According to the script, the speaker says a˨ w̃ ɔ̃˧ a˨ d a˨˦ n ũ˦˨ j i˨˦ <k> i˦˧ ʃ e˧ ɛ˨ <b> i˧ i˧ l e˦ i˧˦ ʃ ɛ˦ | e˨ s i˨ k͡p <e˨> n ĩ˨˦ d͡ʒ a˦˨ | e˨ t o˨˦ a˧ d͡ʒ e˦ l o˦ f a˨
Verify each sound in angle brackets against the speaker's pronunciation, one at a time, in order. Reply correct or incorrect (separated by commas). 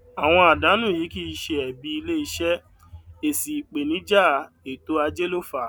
correct, correct, correct